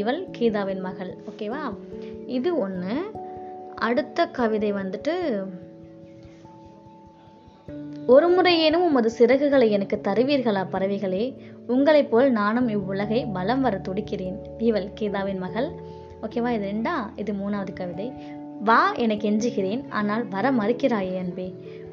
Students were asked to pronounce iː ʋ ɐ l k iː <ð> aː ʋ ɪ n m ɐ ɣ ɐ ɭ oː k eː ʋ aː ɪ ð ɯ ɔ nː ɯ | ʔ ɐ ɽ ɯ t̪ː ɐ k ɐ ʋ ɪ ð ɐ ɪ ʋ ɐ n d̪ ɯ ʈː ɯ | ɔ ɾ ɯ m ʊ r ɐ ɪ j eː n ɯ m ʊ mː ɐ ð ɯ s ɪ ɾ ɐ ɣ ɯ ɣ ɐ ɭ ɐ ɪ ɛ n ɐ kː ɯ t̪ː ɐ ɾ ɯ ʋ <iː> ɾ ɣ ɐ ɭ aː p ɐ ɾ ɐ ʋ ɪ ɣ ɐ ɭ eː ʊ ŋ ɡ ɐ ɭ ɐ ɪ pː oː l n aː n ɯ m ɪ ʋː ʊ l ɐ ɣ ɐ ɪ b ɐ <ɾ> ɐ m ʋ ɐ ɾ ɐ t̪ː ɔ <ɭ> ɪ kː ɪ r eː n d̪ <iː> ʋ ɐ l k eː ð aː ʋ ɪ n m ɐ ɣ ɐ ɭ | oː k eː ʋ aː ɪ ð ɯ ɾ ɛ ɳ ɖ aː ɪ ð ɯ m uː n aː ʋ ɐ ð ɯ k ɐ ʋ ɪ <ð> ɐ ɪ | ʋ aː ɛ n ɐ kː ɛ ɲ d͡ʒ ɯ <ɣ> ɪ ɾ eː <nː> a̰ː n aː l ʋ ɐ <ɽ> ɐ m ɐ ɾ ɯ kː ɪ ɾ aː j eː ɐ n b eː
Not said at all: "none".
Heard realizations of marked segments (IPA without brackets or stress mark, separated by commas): ð, iː, l, ɽ, iː, ð, ɣ, n, ɾ